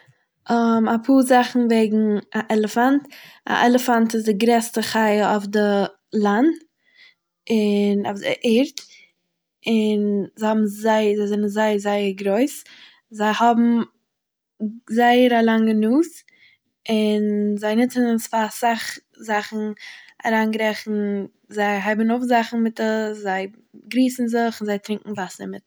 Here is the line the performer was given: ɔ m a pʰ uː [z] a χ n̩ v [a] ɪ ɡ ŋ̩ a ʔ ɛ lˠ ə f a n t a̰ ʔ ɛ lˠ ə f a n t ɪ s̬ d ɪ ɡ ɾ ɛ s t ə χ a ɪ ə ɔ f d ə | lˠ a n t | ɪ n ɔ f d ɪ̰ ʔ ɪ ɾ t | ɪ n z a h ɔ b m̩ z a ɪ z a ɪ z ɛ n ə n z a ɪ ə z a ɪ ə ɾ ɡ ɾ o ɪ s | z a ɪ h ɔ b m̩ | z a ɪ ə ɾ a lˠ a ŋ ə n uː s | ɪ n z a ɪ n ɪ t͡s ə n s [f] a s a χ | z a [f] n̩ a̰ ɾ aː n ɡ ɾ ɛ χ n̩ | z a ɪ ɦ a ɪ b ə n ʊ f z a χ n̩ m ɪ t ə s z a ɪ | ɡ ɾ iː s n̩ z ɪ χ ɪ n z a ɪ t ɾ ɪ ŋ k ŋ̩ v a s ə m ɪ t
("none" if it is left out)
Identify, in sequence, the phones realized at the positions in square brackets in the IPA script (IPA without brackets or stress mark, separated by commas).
z, e, f, χ